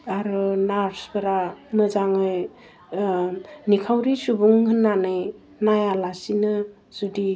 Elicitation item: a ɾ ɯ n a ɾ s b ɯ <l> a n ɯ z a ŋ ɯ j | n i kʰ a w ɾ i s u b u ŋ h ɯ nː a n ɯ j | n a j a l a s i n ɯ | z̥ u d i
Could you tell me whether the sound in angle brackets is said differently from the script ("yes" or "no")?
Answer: yes